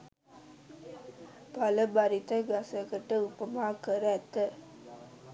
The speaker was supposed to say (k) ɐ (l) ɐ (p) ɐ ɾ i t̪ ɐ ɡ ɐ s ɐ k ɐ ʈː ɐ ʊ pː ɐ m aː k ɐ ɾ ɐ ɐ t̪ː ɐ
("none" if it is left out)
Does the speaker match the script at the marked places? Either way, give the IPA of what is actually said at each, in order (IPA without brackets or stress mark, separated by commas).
p, l, b